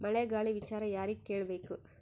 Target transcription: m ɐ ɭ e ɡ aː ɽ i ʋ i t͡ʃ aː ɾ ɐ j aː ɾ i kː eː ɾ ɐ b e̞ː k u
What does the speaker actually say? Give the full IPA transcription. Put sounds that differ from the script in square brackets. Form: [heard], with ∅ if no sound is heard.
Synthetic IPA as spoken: m ɐ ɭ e ɡ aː [ɭ] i ʋ i t͡ʃ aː ɾ ɐ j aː ɾ i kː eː [ɭ] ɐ b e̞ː k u